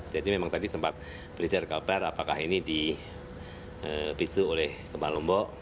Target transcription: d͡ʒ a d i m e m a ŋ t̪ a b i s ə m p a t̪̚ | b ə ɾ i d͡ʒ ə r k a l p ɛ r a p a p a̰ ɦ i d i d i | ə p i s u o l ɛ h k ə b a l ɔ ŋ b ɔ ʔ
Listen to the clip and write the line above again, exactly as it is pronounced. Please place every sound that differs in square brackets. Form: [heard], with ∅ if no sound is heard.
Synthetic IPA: d͡ʒ a d i m e m a ŋ t̪ a [d] i s ə m p a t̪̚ | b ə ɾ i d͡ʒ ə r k a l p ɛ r a p a [k] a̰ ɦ i [n] i d i | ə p i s u o l ɛ h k ə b a l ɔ [m] b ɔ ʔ